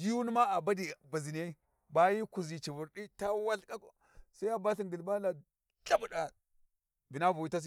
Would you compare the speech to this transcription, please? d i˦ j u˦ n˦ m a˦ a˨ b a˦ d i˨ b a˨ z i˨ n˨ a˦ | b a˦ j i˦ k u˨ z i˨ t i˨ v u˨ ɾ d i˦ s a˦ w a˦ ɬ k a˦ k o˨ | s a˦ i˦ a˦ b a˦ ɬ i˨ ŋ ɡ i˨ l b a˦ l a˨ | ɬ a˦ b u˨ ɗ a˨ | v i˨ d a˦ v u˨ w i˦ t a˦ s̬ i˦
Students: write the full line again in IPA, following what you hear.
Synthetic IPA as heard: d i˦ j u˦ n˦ m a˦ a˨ b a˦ d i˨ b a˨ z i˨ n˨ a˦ | b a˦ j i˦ k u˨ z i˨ t͡ʃ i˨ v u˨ ɾ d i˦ t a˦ w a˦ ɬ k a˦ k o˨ | s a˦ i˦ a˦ b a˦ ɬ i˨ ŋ ɡ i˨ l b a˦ l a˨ | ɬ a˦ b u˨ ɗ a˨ | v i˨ n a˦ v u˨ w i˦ t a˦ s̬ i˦